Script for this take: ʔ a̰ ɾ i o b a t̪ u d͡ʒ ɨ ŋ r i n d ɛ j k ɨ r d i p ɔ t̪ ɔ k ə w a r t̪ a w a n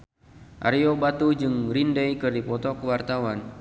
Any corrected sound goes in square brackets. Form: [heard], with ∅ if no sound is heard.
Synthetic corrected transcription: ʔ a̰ ɾ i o b a t̪ u d͡ʒ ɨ ŋ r i n d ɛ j k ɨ r d i p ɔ t̪ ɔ k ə w a r t̪ a w a n